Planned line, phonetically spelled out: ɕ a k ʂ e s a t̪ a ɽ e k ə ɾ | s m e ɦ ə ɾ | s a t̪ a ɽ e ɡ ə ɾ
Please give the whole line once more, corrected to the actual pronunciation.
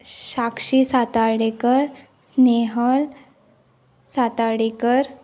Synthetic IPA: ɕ a k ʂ i s a t̪ a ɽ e k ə ɾ | s n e ɦ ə l | s a t̪ a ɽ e k ə ɾ